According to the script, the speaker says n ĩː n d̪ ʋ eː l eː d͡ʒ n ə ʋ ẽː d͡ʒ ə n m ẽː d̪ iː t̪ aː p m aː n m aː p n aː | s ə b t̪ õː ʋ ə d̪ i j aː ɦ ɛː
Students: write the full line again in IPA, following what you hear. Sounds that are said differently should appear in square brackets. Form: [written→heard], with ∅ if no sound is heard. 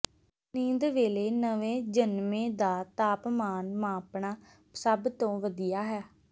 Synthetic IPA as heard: n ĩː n d̪ ʋ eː l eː [d͡ʒ→∅] n ə ʋ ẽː d͡ʒ ə n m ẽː d̪ [iː→aː] t̪ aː p m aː n m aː p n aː | s ə b t̪ õː ʋ ə d̪ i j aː ɦ ɛː